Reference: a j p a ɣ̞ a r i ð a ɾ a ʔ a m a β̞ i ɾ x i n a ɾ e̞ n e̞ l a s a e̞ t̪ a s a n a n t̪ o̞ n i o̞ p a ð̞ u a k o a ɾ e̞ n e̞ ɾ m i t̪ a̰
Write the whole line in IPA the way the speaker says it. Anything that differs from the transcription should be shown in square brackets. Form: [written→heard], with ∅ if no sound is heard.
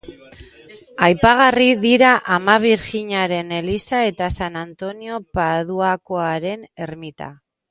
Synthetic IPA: a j p a ɣ̞ a r i ð [a→i] ɾ a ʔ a m a β̞ i ɾ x i [n→ɲ] a ɾ e̞ n e̞ l [a→i] s a e̞ t̪ a s a n a n t̪ o̞ n i o̞ p a ð̞ u a k o a ɾ e̞ n e̞ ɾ m i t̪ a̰